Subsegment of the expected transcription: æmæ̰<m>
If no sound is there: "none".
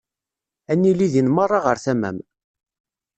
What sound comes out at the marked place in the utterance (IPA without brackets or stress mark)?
m